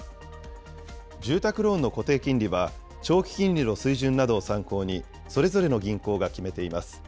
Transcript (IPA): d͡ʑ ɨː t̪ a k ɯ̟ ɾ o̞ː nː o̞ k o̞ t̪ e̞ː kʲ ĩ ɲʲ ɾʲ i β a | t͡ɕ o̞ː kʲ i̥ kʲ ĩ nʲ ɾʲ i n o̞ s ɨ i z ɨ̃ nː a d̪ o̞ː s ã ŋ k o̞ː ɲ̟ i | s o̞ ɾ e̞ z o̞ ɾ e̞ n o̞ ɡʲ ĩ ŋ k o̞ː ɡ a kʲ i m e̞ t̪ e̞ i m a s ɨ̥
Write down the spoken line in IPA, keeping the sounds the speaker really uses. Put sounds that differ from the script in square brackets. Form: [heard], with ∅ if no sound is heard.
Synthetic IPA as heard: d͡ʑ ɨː t̪ a k ɯ̟ ɾ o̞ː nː o̞ k o̞ t̪ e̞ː kʲ ĩ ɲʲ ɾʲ i β a | t͡ɕ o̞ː kʲ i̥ kʲ ĩ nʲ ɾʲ i n o̞ s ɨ i [ʑ] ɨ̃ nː a d̪ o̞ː s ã ŋ k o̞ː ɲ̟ i | s o̞ ɾ e̞ z o̞ ɾ e̞ n o̞ ɡʲ ĩ ŋ k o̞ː ɡ a kʲ i m e̞ t̪ e̞ i m a s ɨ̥